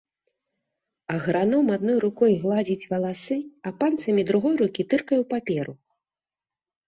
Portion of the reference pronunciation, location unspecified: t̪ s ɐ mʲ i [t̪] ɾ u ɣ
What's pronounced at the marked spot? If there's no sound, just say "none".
d̪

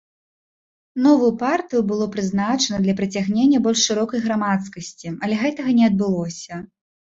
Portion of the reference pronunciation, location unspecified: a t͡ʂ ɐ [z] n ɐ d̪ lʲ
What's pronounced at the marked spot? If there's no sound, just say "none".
none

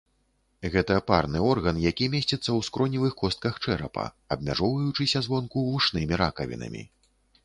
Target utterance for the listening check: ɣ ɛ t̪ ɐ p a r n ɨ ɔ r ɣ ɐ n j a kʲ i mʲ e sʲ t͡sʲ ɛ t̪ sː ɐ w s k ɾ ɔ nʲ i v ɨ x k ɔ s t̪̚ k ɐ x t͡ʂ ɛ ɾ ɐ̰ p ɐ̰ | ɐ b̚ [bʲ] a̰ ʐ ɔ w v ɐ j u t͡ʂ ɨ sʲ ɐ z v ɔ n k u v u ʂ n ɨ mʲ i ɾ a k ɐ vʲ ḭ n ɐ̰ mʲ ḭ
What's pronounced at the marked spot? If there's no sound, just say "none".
mʲ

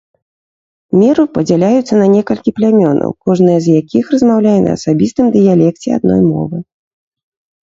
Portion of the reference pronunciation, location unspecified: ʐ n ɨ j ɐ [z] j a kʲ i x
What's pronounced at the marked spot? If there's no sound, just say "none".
z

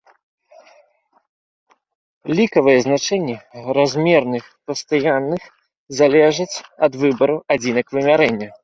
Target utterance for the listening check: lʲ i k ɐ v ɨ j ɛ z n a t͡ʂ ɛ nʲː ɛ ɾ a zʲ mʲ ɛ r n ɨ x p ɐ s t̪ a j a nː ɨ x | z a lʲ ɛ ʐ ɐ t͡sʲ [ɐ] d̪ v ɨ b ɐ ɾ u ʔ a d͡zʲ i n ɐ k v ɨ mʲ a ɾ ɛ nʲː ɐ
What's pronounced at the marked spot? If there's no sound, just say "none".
ɐ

